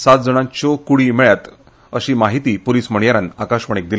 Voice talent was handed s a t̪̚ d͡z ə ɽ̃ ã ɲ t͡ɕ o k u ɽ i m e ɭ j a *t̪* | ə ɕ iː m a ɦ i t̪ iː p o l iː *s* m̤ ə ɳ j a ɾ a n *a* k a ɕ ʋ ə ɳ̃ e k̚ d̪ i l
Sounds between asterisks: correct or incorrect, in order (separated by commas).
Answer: correct, correct, correct